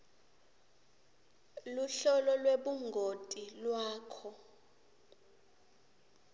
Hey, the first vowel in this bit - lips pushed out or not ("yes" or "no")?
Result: yes